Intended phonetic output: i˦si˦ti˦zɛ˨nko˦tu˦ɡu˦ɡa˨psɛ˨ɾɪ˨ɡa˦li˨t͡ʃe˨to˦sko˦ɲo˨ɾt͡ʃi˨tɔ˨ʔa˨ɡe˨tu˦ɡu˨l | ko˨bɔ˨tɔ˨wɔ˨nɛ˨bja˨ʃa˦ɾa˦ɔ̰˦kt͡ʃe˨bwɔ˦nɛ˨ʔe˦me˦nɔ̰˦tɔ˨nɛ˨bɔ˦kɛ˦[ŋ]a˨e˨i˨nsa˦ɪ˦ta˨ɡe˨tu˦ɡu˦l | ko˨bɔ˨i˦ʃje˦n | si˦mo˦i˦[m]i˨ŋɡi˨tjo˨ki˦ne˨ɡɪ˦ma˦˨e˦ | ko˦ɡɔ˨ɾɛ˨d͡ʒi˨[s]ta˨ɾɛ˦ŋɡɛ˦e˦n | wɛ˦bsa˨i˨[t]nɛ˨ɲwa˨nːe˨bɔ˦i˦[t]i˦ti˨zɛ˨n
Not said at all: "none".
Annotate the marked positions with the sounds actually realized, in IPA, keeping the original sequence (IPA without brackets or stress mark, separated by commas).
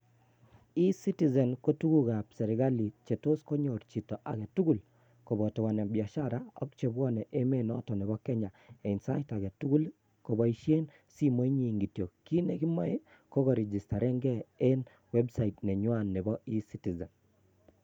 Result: ɲ, ɲ, s, t, s